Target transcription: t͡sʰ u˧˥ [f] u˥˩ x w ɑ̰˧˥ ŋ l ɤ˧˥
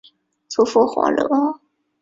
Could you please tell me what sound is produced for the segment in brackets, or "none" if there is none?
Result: f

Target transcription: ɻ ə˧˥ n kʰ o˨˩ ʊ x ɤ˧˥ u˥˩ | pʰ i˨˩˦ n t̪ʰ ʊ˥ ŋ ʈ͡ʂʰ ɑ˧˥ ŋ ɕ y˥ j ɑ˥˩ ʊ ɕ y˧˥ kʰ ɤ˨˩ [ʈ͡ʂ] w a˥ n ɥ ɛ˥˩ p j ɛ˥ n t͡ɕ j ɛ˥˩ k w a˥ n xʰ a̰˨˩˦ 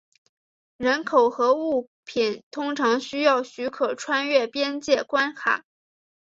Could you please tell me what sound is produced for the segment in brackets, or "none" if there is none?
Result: ʈ͡ʂʰ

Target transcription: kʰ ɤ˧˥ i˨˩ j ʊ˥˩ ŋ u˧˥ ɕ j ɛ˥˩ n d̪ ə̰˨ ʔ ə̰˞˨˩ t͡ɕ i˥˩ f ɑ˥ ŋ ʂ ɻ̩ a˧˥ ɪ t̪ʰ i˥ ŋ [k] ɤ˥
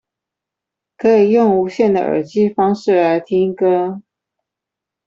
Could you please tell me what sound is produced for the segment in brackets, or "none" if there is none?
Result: k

